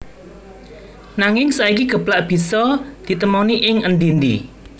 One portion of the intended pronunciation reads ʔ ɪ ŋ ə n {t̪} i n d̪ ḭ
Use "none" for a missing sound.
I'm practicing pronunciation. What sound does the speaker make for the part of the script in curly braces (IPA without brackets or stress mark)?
d̪